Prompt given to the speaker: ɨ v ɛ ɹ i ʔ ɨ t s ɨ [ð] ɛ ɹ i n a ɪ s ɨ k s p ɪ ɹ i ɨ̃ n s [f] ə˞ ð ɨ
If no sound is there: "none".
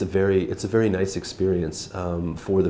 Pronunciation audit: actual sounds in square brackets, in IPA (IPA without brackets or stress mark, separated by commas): v, f